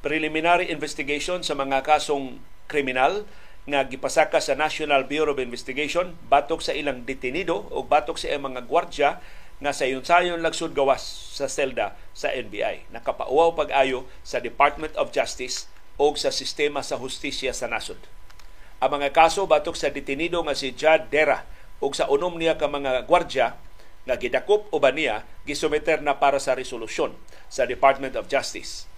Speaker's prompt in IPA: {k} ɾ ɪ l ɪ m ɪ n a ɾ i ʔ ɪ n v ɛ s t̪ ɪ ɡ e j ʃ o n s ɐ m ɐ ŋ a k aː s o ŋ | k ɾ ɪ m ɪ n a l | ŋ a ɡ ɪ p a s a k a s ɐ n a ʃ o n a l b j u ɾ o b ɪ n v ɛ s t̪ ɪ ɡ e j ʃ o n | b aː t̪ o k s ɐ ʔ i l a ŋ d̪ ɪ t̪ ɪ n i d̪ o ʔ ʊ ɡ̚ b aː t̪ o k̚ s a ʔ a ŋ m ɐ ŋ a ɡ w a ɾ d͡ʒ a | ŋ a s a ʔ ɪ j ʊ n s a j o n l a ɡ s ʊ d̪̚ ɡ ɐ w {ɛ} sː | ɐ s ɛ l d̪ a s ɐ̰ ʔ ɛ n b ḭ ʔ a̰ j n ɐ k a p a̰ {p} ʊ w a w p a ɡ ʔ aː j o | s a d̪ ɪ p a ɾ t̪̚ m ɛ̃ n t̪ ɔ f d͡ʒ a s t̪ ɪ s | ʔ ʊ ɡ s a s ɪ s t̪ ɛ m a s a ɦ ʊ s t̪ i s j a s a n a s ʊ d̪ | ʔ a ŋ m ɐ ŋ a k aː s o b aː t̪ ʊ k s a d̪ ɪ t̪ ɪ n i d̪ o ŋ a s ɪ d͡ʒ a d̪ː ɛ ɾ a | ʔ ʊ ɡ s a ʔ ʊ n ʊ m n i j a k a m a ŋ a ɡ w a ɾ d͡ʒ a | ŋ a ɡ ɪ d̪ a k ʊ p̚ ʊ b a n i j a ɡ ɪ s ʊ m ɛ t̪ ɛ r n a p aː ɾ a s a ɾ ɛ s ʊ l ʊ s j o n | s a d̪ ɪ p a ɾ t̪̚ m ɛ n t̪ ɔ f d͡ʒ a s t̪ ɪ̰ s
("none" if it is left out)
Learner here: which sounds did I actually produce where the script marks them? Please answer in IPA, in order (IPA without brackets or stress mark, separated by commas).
p, a, ʔ